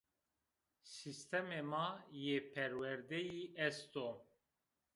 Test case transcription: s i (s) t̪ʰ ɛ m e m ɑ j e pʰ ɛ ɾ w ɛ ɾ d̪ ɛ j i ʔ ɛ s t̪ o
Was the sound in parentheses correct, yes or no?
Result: yes